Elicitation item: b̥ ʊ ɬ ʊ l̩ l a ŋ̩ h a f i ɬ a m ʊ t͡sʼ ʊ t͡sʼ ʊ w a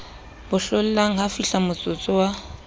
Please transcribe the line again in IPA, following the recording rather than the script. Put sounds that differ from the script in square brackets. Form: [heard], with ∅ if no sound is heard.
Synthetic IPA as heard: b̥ ʊ ɬ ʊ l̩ l a ŋ̩ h a f i ɬ a m ʊ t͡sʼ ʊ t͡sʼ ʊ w a